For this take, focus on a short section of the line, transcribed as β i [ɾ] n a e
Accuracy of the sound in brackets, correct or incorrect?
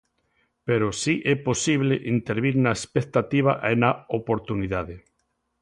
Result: correct